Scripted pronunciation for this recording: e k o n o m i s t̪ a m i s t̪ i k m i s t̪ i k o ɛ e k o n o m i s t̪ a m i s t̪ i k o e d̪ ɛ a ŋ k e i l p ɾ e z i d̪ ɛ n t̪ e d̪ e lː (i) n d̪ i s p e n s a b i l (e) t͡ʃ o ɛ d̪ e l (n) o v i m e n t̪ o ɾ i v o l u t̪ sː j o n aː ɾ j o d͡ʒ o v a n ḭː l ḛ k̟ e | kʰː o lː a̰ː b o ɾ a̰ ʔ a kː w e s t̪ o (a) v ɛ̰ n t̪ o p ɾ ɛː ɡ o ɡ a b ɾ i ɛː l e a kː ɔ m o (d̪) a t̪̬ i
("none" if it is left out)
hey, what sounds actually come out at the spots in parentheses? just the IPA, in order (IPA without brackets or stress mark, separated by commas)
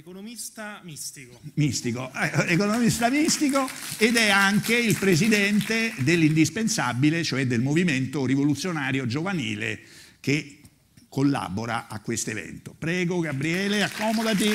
i, e, m, e, d̪